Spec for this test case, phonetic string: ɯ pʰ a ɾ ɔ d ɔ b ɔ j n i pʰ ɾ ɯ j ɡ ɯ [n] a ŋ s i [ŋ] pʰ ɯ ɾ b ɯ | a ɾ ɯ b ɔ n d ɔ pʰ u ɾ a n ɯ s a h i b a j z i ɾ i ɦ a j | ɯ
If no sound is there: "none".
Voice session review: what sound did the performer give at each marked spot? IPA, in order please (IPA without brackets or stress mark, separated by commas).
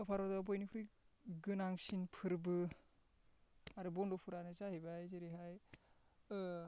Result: n, n